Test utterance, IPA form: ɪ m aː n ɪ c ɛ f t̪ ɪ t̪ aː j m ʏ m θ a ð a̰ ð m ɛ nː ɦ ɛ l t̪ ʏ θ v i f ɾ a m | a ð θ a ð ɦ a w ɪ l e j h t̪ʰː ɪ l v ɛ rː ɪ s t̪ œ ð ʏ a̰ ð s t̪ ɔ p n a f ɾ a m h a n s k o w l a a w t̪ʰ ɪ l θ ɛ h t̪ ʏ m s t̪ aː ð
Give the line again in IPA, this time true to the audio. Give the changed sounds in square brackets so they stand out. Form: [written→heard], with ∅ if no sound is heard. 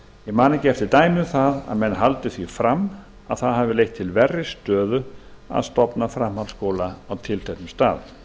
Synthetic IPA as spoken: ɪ m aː n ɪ c ɛ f t̪ ɪ t̪ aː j m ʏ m θ a ð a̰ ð m ɛ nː ɦ [ɛ→a] l t̪ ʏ θ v i f ɾ a m | a ð θ a ð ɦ a [w→v] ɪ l e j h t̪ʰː ɪ l v ɛ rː ɪ s t̪ [œ→œː] ð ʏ a̰ ð s t̪ ɔ p n a f ɾ a m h a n s k o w l a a w t̪ʰ ɪ l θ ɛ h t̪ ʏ m s t̪ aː ð